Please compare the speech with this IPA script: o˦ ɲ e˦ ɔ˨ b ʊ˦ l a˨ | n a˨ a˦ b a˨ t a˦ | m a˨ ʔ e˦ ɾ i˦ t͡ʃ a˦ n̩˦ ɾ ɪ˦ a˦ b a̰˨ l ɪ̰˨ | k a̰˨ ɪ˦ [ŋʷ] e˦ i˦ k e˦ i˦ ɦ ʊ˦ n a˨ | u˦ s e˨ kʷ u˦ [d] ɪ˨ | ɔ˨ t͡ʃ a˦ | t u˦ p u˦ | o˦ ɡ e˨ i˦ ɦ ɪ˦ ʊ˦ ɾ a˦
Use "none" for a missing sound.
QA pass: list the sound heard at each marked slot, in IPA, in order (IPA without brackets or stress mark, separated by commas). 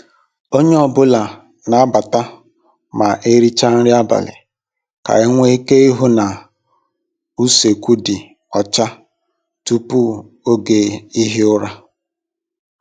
ŋʷ, d